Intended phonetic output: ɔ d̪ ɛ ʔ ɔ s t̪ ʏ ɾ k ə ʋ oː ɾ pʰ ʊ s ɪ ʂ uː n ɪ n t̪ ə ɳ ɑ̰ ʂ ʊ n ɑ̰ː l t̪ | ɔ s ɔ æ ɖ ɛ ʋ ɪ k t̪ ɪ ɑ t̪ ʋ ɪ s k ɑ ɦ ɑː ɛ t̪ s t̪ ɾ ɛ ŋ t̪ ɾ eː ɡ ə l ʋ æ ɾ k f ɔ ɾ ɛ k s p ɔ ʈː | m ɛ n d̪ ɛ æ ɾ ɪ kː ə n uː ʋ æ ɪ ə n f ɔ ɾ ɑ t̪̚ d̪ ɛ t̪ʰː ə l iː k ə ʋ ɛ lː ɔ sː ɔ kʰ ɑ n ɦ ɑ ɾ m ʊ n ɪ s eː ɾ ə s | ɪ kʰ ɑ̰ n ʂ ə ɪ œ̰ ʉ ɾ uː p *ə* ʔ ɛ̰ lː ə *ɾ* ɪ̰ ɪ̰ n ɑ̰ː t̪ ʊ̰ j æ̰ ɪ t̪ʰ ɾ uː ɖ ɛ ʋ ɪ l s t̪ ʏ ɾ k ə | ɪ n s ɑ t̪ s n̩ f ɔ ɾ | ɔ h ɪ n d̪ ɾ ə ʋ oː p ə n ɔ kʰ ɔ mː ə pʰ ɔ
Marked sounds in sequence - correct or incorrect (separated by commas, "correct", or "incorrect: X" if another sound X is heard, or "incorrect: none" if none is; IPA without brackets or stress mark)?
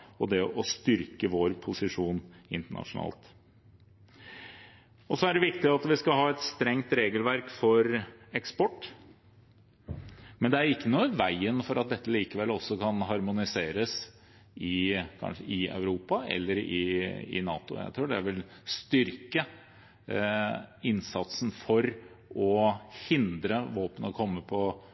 incorrect: ɑ, correct